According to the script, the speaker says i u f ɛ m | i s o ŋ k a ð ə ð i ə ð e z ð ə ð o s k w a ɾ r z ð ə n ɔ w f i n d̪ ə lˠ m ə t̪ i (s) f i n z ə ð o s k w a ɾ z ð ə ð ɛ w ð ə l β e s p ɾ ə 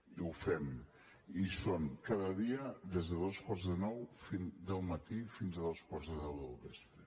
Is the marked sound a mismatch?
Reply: yes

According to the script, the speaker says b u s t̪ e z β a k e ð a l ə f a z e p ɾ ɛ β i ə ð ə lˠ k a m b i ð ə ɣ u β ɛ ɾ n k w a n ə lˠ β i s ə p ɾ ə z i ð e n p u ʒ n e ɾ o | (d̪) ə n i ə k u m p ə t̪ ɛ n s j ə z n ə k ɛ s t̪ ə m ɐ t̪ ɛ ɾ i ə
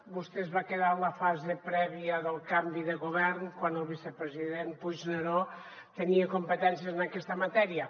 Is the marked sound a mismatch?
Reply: yes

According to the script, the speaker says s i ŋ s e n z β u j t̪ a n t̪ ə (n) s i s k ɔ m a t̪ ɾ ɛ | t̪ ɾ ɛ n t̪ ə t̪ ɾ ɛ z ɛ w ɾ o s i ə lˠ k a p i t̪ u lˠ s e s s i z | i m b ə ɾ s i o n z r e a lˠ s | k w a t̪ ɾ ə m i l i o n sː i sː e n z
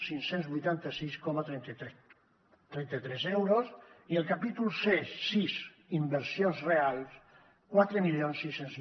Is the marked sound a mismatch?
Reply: yes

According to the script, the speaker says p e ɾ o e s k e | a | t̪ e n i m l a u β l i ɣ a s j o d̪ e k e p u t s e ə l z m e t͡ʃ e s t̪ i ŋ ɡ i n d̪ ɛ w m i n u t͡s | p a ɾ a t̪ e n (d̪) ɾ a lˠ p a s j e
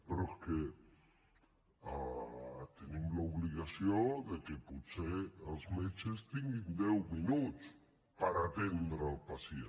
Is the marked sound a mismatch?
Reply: no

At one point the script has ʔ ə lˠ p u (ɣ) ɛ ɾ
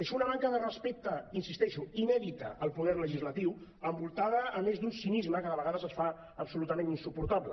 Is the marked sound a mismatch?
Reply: yes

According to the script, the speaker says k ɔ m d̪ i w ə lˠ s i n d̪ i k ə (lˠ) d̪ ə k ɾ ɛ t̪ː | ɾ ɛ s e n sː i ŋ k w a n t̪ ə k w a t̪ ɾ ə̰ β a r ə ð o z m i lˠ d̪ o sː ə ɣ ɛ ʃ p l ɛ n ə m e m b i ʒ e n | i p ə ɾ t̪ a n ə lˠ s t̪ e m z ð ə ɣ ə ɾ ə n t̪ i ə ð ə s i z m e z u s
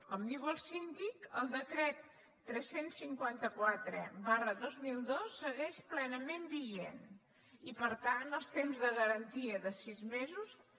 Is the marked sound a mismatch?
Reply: no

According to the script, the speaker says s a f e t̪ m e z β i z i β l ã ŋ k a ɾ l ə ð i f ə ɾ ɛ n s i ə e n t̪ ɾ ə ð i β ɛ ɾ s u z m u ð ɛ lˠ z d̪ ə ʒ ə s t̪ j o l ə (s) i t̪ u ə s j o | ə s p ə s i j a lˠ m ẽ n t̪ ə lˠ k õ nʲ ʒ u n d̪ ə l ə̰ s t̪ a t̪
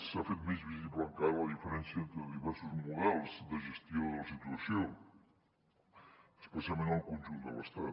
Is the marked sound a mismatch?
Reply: no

